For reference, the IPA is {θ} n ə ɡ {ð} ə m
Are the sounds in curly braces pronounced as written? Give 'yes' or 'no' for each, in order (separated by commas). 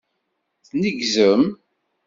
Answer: yes, no